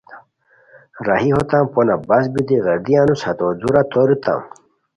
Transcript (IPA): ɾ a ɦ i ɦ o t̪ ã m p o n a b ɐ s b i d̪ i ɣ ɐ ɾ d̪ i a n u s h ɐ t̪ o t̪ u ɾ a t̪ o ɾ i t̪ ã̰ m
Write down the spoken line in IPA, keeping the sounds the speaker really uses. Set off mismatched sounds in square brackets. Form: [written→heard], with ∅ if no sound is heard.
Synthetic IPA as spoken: ɾ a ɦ i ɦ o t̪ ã m p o n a b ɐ s b i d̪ i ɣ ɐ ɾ d̪ i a n u s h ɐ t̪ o [t̪→d̪] u ɾ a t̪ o ɾ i t̪ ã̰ m